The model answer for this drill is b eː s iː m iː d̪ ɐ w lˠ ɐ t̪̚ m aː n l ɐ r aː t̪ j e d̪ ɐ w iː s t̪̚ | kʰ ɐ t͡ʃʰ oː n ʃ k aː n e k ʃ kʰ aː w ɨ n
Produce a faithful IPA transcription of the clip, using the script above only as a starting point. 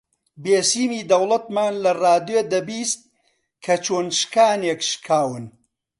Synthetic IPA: b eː s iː m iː d̪ ɐ w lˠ ɐ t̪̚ m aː n l ɐ r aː d̪ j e d̪ ɐ b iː s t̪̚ | kʰ ɐ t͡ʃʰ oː n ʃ k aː n e k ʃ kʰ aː w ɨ n

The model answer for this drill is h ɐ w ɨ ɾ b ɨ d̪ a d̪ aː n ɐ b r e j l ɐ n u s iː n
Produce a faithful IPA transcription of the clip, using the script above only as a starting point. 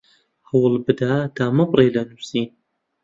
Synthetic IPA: h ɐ w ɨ l b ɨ d̪ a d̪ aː m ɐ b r e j l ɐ n u s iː n

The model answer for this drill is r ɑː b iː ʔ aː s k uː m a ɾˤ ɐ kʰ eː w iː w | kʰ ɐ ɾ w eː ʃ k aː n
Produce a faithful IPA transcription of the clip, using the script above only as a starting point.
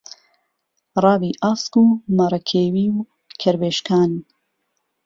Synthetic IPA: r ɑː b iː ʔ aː s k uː m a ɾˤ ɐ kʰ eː w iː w | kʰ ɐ ɾ b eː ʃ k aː n

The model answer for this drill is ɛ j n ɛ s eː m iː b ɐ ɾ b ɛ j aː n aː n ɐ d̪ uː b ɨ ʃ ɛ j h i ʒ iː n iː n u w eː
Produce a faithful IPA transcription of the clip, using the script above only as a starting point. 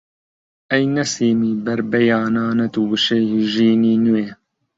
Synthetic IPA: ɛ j n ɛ s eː m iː b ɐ ɾ b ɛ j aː n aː n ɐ t̪ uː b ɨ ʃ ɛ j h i ʒ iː n iː n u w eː

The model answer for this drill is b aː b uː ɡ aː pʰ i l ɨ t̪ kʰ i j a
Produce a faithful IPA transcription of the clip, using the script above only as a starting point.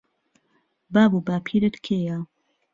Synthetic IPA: b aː b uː b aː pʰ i ɾ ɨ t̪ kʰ e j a

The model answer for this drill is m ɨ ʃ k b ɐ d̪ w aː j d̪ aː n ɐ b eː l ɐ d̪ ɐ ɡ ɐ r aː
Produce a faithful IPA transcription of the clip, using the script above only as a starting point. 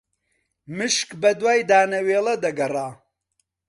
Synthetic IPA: m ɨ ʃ k b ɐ d̪ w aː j d̪ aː n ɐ w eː l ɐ d̪ ɐ ɡ ɐ r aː

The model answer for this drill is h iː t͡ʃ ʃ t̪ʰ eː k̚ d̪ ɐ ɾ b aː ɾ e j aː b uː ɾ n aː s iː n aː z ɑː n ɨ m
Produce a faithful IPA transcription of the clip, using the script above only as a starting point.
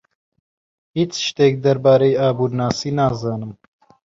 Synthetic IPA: h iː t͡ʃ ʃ t̪ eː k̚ d̪ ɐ ɾ b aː ɾ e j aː b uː ɾ n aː s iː n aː z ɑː n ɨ m

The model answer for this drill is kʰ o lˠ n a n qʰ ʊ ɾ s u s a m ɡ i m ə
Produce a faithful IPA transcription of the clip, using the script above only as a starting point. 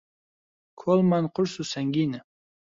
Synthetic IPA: kʰ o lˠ m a n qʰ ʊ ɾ s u s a ŋ ɡ i n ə

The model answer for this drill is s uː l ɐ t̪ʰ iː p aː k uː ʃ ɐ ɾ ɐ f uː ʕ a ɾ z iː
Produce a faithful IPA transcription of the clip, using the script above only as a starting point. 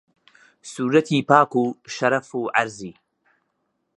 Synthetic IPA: s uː ɾ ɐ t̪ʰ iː p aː k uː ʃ ɐ ɾ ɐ f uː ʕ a ɾ z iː

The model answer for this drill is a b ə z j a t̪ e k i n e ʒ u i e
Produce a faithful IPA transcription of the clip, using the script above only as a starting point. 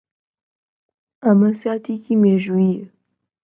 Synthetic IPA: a m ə s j a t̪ i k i m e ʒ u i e

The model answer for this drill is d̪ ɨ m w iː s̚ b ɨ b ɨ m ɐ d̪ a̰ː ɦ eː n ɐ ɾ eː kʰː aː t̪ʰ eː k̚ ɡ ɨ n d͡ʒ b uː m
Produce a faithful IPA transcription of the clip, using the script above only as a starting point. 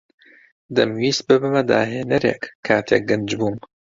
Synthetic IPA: d̪ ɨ m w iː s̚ b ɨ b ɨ m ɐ d̪ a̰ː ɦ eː n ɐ ɾ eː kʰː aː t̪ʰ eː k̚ ɡ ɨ n d͡ʒ b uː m

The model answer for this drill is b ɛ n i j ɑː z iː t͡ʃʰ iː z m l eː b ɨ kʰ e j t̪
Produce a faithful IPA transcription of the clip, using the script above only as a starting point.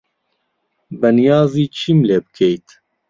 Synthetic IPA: b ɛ n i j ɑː z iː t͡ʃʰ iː m l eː b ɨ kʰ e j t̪

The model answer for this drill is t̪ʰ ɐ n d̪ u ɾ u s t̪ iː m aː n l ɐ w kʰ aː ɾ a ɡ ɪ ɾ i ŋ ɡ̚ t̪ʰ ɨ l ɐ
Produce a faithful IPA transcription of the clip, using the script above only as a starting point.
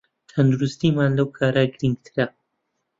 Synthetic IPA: t̪ʰ ɐ n d̪ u ɾ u s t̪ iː m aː n l ɐ w kʰ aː ɾ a ɡ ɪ ɾ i ŋ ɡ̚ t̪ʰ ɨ ɾ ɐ

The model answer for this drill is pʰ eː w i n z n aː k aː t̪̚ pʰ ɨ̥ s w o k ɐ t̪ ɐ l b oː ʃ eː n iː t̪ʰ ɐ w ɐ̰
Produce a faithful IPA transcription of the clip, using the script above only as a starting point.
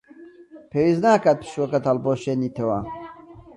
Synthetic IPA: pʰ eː w i z n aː k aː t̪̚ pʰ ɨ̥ ʃ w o k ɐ t̪ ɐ l b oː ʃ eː n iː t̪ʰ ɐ w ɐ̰

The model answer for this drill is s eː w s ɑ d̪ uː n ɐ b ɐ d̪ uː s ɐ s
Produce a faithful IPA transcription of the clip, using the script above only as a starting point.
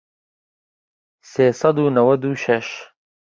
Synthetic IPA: s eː s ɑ d̪ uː n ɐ w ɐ d̪ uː ʃ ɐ ʃ

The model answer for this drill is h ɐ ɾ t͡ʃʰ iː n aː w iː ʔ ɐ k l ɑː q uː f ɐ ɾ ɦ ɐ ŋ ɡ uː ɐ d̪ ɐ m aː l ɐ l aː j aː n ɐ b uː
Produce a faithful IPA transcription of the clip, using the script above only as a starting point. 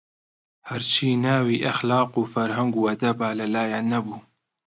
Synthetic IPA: h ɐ ɾ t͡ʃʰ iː n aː w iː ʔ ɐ x l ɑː q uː f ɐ ɾ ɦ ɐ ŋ ɡ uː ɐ d̪ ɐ b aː l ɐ l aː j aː n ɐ b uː

